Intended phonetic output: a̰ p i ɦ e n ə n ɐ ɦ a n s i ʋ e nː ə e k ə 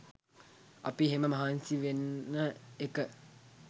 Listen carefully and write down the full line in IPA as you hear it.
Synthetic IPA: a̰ p i ɦ e m ə m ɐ ɦ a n s i ʋ e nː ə e k ə